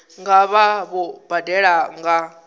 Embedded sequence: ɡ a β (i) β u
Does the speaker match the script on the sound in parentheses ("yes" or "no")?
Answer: no